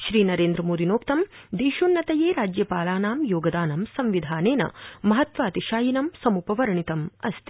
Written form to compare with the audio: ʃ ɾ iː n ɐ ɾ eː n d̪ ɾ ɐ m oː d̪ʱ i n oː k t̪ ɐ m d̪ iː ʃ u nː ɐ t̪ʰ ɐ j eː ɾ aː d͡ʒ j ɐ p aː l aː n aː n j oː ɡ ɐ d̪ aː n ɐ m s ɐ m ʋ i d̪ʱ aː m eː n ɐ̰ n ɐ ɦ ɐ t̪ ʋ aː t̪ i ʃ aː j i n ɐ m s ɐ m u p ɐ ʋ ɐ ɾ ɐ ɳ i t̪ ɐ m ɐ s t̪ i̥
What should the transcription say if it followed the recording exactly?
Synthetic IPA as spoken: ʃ ɾ iː n ɐ ɾ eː n d̪ ɾ ɐ m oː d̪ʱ i n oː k t̪ ɐ m d̪ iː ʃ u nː ɐ t̪ ɐ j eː ɾ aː d͡ʒ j ɐ p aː l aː n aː m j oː ɡ ɐ d̪ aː n ɐ m s ɐ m ʋ i d̪ʱ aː n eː n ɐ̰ m ɐ ɦ ɐ t̪ ʋ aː t̪ i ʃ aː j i n ɐ m s ɐ m u p ɐ ʋ ɐ ɾ ɐ ɳ i t̪ ɐ m ɐ s t̪ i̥